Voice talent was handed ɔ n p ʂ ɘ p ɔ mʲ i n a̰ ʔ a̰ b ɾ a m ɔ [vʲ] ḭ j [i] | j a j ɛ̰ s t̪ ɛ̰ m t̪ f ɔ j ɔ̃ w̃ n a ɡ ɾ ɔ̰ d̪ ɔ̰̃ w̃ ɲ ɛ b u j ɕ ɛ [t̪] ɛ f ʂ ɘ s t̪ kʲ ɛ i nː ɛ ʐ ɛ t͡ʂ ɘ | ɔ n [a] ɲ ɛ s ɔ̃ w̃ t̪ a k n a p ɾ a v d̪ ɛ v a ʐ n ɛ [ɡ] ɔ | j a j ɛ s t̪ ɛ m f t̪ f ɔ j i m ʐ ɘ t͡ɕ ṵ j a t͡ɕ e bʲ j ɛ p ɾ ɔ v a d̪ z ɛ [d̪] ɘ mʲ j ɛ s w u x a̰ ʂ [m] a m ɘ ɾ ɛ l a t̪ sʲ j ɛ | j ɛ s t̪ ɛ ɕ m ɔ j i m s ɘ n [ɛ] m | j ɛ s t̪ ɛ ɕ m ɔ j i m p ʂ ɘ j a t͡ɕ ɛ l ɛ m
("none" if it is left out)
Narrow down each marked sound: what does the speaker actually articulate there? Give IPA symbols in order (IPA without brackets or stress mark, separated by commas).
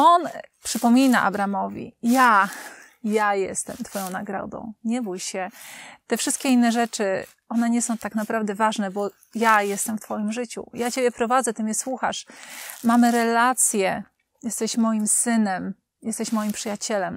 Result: vʲ, a, t̪, ɛ, b, t̪, m, ɛ